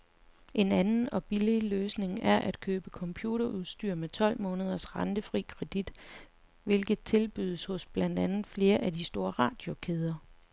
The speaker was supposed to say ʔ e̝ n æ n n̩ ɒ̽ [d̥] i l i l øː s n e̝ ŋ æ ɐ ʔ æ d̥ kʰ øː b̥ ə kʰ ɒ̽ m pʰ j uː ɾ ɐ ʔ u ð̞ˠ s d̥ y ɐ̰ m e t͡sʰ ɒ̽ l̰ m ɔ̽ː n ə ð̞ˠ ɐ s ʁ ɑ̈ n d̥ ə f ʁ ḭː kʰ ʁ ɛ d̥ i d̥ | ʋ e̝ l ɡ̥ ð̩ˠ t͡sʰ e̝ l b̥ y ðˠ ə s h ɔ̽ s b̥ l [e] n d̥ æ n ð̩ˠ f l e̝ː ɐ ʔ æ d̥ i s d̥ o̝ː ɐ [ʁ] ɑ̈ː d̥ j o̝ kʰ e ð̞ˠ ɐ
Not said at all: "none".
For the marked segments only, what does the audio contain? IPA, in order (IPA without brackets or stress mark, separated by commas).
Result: b̥, æ, ʁ